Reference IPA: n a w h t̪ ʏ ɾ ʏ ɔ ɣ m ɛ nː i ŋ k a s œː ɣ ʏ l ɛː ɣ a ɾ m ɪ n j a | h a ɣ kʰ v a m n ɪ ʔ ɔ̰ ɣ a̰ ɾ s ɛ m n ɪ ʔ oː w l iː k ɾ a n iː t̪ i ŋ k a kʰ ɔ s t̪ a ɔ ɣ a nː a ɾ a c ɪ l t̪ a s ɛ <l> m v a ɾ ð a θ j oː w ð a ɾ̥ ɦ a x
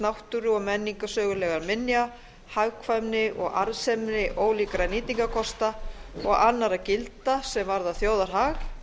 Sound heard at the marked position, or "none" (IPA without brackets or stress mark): none